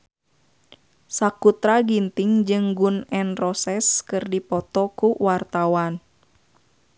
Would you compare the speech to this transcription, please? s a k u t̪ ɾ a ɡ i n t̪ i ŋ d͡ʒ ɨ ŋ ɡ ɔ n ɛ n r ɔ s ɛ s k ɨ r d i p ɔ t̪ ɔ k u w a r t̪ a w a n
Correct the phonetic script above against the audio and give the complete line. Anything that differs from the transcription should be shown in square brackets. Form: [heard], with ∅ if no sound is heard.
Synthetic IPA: s a k u t̪ ɾ a ɡ i n t̪ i ŋ d͡ʒ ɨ ŋ ɡ [u] n ɛ n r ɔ s ɛ s k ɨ r d i p ɔ t̪ ɔ k u w a r t̪ a w a n